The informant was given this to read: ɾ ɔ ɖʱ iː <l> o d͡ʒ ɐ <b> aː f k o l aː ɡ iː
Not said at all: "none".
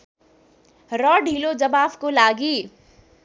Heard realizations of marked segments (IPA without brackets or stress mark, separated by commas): l, b